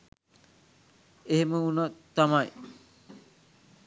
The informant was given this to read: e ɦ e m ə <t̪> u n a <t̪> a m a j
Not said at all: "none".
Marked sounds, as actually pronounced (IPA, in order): none, t̪

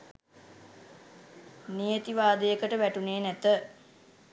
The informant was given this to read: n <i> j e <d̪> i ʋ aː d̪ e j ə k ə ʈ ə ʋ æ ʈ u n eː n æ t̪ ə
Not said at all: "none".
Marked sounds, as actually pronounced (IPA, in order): i, t̪

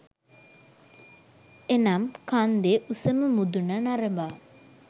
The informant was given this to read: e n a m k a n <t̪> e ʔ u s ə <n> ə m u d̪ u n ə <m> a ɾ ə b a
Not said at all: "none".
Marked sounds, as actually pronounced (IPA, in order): d̪, m, n

